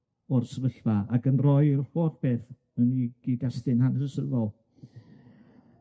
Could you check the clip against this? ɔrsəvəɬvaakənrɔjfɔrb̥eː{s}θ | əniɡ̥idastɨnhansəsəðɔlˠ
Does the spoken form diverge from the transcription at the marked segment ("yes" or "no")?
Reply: yes